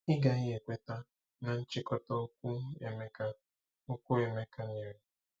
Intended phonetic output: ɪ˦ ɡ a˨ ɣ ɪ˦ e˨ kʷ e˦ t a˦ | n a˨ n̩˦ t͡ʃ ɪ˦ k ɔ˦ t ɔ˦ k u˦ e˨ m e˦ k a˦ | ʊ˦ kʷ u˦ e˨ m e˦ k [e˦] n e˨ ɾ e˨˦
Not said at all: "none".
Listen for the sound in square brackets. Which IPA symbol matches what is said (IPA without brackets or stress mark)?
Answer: a˦